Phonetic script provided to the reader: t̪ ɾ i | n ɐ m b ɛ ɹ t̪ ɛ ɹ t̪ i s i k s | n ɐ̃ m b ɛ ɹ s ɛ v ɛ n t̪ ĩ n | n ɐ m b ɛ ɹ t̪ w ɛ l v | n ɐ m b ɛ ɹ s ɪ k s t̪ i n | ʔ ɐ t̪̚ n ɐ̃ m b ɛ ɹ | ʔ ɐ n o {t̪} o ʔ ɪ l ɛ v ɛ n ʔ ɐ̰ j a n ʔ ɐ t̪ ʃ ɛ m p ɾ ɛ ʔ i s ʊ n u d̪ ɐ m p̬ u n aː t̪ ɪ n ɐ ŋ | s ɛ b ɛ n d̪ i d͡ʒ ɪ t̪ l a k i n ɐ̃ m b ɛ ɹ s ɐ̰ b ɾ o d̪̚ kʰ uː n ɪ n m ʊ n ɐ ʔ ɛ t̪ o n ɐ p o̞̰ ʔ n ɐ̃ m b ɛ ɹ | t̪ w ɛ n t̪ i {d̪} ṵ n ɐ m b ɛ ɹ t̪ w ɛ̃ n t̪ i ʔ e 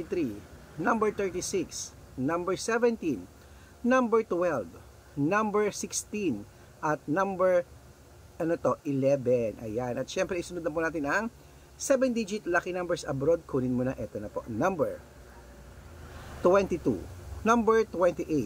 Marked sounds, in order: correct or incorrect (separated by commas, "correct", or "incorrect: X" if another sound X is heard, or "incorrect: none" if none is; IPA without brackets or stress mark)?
correct, incorrect: t̪